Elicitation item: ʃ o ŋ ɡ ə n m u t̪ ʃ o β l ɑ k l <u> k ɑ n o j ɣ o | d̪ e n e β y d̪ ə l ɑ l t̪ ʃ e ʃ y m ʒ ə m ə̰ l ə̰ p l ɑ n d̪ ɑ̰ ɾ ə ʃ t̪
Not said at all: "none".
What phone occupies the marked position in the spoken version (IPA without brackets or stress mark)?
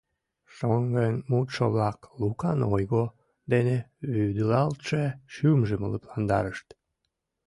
u